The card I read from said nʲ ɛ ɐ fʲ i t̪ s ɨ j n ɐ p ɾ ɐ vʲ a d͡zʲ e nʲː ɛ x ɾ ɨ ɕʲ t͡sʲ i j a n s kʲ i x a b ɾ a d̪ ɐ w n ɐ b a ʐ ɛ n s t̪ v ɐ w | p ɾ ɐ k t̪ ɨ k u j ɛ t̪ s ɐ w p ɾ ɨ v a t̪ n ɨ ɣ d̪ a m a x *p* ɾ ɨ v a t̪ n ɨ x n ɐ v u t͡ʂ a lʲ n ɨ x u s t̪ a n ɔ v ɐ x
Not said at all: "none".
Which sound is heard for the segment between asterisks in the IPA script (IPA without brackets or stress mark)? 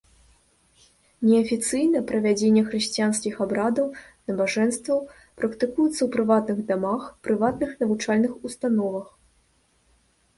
p